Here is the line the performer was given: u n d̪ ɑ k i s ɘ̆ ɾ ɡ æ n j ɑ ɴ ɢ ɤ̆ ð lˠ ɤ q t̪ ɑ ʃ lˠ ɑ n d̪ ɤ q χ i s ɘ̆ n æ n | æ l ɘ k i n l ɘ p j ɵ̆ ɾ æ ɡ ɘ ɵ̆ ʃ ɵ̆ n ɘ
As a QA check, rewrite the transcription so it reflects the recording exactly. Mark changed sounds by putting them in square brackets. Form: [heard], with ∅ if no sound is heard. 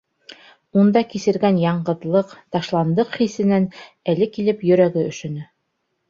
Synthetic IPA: u n d̪ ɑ k i s ɘ̆ ɾ ɡ æ n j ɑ ɴ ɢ ɤ̆ ð lˠ ɤ q t̪ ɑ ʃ lˠ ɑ n d̪ ɤ q χ i s ɘ̆ n æ n | æ l ɘ k i [∅] l ɘ p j ɵ̆ ɾ æ ɡ ɘ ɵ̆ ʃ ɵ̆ n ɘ